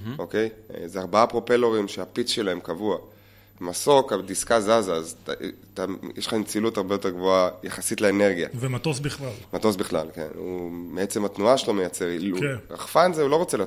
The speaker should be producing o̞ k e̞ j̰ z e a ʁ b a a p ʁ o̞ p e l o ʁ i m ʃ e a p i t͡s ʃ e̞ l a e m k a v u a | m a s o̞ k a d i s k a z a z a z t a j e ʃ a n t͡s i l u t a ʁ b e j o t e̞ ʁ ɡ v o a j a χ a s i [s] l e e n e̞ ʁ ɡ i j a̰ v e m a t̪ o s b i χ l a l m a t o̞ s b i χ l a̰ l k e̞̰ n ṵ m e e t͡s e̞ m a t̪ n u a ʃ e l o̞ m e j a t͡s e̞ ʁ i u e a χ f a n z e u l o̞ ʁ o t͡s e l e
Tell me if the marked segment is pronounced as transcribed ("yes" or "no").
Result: no